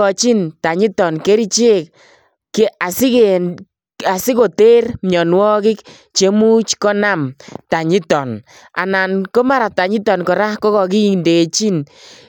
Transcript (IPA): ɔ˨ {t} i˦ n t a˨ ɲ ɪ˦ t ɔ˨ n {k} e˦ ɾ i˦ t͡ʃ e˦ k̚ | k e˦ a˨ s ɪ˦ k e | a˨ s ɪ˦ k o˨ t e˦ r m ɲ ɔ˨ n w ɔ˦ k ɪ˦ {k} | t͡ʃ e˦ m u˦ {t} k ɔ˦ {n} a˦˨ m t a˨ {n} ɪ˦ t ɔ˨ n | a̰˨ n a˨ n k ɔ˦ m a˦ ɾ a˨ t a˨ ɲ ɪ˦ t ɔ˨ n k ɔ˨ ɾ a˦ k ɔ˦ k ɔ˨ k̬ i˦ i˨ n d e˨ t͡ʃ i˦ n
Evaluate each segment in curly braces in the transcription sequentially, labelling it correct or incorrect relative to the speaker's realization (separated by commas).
incorrect, correct, correct, incorrect, correct, incorrect